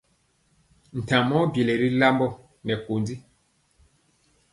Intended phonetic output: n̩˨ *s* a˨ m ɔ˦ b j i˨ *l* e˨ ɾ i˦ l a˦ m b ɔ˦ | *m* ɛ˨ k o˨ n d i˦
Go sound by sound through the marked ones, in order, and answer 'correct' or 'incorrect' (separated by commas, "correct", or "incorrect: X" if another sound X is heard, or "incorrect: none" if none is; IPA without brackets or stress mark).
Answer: incorrect: t, correct, incorrect: n